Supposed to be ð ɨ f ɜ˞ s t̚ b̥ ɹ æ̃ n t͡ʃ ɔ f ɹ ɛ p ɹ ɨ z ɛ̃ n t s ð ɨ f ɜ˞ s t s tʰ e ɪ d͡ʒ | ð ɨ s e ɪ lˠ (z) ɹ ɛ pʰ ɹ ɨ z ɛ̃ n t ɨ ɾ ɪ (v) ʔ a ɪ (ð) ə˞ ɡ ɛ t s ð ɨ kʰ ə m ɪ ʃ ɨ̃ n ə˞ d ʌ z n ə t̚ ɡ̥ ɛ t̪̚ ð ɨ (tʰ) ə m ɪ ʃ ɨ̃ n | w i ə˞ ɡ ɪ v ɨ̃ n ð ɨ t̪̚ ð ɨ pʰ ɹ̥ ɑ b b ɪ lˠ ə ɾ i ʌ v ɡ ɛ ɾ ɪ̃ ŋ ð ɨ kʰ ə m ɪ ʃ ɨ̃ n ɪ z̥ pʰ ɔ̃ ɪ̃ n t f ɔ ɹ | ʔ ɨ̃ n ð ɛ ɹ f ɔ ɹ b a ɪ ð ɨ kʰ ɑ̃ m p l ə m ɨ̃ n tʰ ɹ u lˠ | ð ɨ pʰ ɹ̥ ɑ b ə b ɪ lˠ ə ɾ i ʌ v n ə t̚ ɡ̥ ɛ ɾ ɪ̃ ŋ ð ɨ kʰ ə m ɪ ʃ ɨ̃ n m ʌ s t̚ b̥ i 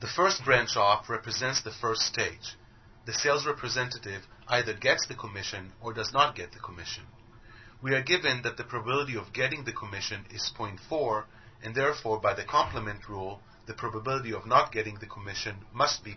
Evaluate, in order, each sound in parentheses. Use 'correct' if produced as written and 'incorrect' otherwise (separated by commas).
correct, correct, correct, incorrect